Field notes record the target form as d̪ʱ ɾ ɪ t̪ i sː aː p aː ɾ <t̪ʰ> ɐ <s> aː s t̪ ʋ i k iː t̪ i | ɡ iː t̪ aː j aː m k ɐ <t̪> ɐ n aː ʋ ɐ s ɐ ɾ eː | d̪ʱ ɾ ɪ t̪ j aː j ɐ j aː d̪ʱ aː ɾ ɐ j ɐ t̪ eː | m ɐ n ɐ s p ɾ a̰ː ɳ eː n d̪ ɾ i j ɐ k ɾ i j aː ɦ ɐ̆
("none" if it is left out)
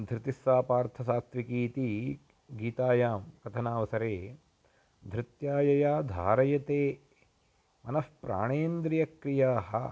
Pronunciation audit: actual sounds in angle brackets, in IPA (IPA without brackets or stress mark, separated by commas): t̪ʰ, s, t̪ʰ